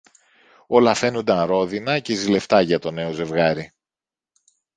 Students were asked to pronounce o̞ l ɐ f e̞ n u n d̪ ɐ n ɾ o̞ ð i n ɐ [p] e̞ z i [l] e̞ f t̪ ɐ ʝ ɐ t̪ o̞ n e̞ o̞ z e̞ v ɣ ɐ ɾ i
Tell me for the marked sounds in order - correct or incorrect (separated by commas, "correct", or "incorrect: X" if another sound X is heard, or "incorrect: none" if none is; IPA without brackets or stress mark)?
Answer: incorrect: c, correct